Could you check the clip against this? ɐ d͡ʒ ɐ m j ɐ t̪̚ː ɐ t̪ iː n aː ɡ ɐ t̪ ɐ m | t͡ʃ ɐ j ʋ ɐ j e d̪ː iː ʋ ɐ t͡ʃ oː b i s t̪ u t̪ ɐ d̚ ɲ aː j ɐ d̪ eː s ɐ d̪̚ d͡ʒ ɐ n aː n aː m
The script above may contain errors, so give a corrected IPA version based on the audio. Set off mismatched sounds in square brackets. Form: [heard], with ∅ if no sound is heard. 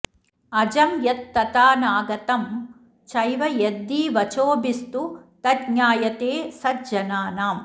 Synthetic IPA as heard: ɐ d͡ʒ ɐ m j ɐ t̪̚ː ɐ t̪ [aː] n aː ɡ ɐ t̪ ɐ m | t͡ʃ ɐ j ʋ ɐ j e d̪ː iː ʋ ɐ t͡ʃ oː b i s t̪ u t̪ ɐ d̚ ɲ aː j ɐ [t̪] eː s ɐ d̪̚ d͡ʒ ɐ n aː n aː m